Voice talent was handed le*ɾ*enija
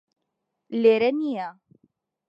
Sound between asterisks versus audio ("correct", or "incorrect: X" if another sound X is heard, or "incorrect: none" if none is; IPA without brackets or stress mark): correct